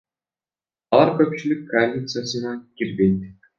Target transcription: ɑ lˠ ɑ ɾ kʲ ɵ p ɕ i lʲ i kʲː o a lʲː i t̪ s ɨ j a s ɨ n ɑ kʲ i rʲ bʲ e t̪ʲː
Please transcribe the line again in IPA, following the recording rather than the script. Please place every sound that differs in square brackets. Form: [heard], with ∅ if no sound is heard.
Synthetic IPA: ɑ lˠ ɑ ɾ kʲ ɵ p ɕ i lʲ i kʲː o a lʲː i t̪ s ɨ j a s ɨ n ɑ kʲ i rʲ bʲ e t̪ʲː